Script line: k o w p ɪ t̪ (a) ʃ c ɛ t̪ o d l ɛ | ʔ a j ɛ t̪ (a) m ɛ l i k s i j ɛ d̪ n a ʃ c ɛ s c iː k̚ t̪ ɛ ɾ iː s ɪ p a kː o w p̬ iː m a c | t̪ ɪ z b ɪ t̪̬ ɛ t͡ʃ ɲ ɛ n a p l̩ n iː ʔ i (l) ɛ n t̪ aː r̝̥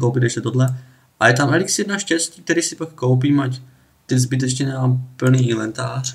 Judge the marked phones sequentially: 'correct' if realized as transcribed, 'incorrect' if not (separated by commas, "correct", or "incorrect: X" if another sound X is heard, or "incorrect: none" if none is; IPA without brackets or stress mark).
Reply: incorrect: ɛ, correct, correct